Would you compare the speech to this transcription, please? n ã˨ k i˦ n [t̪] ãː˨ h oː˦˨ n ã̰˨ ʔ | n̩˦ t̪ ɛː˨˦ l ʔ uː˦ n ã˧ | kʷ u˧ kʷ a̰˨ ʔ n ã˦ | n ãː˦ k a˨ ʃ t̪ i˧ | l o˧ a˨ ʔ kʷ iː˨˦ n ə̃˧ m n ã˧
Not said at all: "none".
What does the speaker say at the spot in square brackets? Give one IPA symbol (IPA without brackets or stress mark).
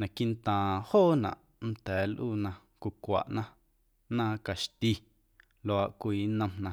t̪